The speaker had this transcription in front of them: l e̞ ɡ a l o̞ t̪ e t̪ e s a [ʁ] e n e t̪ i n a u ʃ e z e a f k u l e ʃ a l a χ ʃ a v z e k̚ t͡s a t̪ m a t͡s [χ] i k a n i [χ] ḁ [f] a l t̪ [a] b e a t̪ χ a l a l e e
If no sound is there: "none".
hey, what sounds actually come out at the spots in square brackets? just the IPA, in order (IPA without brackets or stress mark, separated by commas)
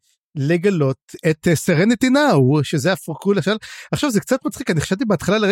ʁ, χ, χ, ʃ, i